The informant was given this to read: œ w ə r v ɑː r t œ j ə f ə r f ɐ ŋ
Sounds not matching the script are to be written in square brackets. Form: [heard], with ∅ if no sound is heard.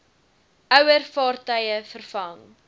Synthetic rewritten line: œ w ə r [f] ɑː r t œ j ə f ə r f ɐ ŋ